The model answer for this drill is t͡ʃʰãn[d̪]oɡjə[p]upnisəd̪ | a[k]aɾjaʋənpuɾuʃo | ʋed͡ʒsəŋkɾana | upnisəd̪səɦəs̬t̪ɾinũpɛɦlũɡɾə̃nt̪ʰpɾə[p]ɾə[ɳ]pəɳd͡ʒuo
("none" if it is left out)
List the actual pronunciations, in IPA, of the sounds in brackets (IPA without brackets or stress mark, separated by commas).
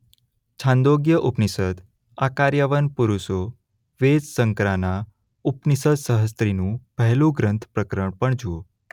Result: d̪, ʔ, k, k, ɳ